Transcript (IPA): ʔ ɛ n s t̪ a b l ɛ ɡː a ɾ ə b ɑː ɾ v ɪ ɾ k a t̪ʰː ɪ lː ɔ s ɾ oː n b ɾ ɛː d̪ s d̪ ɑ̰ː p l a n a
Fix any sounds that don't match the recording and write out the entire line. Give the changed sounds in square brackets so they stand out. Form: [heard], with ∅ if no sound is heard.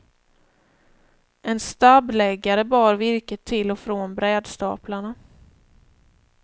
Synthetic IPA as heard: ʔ ɛ n s t̪ a b l ɛ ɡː a ɾ ə b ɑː ɾ v ɪ ɾ k [ə] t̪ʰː ɪ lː ɔ [f] ɾ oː n b ɾ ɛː d̪ s [t̪] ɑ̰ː p l a [ɳ] a